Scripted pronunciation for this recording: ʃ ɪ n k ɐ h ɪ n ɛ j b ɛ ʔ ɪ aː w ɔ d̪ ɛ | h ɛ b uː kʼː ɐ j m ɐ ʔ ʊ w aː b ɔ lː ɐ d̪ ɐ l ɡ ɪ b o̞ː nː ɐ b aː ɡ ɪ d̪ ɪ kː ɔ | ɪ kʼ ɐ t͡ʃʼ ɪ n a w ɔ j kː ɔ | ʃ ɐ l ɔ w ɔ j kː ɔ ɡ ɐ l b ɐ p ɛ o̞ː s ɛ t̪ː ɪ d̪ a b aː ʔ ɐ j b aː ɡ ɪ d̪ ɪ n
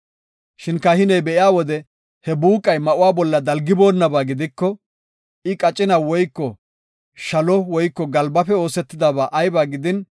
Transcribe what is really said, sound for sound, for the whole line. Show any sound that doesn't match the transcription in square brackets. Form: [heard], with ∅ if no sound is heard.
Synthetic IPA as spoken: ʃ ɪ n k ɐ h ɪ n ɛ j b ɛ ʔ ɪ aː w ɔ d̪ ɛ | h ɛ b uː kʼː ɐ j m ɐ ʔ ʊ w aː b ɔ lː ɐ d̪ ɐ l ɡ ɪ b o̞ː nː ɐ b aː ɡ ɪ d̪ ɪ kː ɔ | ɪ kʼ ɐ t͡ʃʼ ɪ n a w ɔ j kː ɔ | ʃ ɐ l ɔ w ɔ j kː ɔ ɡ ɐ l b ɐ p ɛ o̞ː s ɛ t̪ː ɪ d̪ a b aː ʔ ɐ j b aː ɡ ɪ d̪ ɪ n